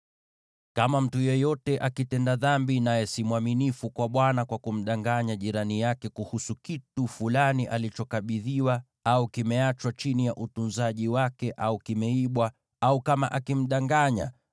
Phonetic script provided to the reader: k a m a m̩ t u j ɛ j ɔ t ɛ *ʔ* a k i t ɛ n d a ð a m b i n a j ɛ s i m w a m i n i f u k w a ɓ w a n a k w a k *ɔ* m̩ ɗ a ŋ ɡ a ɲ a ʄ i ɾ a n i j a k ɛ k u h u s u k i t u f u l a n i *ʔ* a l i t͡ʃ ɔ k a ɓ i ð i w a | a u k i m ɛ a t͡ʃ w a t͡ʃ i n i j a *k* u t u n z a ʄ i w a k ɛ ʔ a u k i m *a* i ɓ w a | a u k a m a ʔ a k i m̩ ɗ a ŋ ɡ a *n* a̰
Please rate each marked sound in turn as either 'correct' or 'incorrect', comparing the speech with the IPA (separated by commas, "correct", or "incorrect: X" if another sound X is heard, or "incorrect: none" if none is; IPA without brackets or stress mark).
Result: correct, incorrect: u, correct, incorrect: ʔ, incorrect: ɛ, incorrect: ɲ